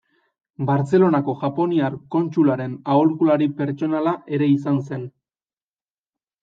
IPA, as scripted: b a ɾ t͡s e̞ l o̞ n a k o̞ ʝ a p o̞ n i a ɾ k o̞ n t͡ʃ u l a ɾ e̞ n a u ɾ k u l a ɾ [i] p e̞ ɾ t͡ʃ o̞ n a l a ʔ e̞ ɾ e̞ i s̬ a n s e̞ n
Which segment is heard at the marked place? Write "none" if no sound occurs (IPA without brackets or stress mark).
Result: i